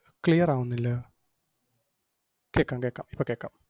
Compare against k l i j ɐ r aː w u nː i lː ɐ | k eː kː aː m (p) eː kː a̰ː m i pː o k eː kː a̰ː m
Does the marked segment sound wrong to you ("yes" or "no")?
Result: yes